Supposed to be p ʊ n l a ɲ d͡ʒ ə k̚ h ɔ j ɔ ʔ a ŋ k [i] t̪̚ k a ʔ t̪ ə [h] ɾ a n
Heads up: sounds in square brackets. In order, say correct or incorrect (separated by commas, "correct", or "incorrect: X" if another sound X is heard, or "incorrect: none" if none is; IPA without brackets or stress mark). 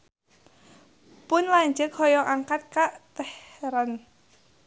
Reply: incorrect: a, correct